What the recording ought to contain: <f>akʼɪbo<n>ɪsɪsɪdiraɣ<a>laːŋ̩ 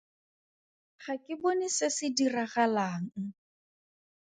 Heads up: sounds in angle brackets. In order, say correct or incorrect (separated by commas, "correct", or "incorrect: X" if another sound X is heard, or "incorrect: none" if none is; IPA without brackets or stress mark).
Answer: incorrect: χ, correct, correct